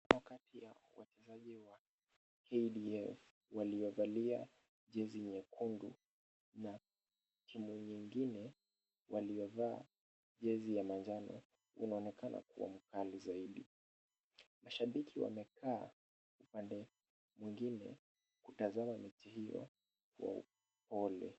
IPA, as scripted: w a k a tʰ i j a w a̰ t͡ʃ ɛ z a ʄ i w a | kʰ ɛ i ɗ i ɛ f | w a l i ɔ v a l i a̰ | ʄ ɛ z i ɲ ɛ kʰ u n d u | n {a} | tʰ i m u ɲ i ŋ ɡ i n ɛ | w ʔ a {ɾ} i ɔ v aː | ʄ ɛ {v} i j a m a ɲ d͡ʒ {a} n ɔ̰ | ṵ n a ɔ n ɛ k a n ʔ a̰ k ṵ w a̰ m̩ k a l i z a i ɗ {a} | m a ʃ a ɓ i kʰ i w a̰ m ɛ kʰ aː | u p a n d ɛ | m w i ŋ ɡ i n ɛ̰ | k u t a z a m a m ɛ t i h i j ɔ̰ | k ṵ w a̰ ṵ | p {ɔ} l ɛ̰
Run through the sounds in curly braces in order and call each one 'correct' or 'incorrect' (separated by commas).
correct, incorrect, incorrect, correct, incorrect, correct